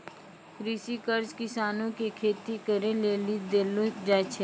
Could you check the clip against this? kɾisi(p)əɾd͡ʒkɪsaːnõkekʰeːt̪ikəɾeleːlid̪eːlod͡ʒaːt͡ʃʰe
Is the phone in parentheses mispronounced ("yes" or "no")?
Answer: yes